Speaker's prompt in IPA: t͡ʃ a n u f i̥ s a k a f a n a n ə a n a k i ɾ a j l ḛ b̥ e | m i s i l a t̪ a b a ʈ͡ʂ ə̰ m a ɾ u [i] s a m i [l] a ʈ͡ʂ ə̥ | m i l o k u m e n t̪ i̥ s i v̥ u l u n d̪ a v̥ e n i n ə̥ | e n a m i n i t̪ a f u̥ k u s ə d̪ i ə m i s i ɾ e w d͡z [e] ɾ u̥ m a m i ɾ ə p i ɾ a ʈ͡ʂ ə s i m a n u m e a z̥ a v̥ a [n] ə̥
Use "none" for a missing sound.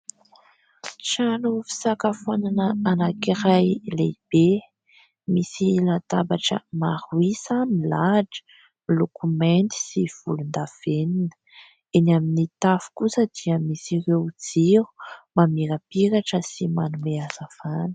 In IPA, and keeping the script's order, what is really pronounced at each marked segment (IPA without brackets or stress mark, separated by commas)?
i, l, i, n